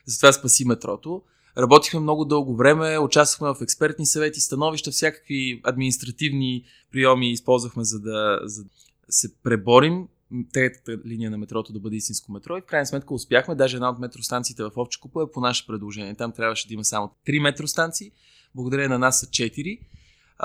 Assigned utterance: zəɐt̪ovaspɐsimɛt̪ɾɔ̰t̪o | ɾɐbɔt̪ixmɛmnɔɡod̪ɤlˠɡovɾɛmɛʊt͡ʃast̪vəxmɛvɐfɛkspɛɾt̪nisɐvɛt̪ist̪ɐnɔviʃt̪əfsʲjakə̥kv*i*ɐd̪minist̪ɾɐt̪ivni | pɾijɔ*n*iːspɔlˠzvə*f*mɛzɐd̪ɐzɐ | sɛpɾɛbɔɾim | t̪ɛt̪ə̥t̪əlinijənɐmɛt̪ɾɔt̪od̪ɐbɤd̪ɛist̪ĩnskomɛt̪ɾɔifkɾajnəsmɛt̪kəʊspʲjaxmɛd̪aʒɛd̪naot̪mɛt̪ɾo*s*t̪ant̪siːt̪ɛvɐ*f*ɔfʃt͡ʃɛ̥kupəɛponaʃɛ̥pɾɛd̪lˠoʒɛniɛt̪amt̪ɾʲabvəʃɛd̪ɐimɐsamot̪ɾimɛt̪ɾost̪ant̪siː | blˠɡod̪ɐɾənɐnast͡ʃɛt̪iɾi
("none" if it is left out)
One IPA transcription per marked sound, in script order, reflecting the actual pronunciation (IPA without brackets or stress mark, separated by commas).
i, m, x, s, f